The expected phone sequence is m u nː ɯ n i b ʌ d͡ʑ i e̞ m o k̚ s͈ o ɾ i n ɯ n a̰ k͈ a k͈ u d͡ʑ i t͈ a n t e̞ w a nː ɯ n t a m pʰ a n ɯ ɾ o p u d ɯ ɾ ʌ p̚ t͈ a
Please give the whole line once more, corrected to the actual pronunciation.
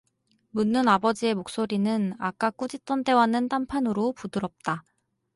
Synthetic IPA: m u nː ɯ n a b ʌ d͡ʑ i e̞ m o k̚ s͈ o ɾ i n ɯ n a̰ k͈ a k͈ u d͡ʑ i t͈ ʌ n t e̞ w a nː ɯ n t a m pʰ a n ɯ ɾ o p u d ɯ ɾ ʌ p̚ t͈ a